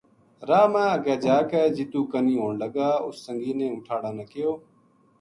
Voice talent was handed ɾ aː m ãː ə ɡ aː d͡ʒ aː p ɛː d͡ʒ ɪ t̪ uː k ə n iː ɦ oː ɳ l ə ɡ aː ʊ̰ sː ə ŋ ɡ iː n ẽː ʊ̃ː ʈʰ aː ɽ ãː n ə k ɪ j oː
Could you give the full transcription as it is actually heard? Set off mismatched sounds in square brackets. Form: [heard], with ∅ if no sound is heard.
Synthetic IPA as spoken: ɾ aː m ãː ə ɡ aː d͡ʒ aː [k] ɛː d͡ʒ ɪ t̪ uː k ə n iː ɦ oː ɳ l ə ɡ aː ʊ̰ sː ə ŋ ɡ iː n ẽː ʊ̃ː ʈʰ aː ɽ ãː n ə k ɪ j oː